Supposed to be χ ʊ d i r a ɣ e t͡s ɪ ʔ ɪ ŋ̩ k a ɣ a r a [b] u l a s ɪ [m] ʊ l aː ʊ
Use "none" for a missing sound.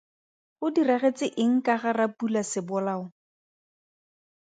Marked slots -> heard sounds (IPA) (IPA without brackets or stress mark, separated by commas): p, b